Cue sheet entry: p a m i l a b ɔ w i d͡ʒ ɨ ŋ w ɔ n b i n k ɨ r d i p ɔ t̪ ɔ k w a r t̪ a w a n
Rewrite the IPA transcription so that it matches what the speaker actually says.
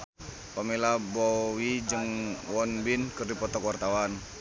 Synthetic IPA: p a m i l a b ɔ w i d͡ʒ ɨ ŋ w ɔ n b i n k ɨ r d i p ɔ t̪ ɔ k w a r t̪ a w a n